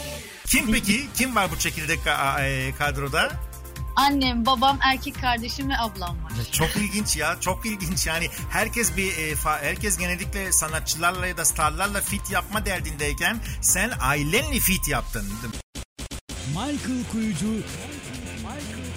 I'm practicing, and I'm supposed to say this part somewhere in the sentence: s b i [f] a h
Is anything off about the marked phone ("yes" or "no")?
no